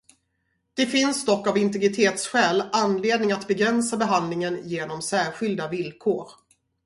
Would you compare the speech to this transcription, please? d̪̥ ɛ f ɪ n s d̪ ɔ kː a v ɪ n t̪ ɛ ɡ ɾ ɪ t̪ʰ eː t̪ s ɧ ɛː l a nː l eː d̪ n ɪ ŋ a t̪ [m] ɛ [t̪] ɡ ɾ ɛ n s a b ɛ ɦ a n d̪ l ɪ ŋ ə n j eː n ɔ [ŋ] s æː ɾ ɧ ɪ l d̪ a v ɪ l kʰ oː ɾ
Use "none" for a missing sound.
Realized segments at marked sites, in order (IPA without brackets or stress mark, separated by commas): b, none, m